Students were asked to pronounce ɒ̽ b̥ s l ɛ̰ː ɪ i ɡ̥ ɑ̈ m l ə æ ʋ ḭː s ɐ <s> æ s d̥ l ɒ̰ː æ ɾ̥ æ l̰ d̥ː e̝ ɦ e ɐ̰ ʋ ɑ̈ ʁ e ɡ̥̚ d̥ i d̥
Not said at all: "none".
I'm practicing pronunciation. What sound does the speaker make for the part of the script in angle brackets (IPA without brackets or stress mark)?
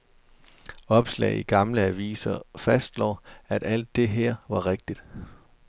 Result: f